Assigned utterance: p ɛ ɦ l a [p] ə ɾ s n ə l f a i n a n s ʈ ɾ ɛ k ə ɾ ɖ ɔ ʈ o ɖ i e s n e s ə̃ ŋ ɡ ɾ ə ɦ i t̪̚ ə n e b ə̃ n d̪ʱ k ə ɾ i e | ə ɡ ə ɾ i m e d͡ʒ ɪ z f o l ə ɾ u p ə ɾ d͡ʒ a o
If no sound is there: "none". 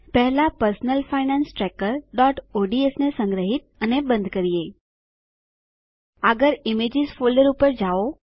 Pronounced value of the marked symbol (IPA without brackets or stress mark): p